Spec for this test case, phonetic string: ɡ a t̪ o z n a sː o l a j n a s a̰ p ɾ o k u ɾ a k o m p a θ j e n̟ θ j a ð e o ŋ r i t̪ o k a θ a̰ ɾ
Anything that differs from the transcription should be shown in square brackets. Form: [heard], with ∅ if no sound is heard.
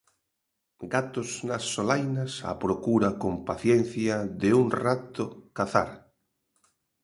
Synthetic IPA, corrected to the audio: ɡ a t̪ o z n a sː o l a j n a s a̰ p ɾ o k u ɾ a k o m p a θ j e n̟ θ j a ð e [u] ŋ r [a] t̪ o k a θ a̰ ɾ